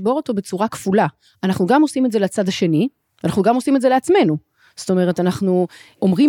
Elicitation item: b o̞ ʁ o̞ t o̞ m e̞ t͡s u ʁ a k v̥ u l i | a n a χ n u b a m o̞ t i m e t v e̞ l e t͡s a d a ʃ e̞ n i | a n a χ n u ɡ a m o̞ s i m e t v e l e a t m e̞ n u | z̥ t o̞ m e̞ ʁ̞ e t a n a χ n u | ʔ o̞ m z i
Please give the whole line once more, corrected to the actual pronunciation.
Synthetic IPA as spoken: b o̞ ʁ o̞ t o̞ b e̞ t͡s u ʁ a k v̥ u l a | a n a χ n u ɡ a m o̞ s i m e t z e̞ l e t͡s a d a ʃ e̞ n i | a n a χ n u ɡ a m o̞ s i m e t z e l e a t͡s m e̞ n u | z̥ t o̞ m e̞ ʁ̞ e t a n a χ n u | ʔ o̞ m ʁ i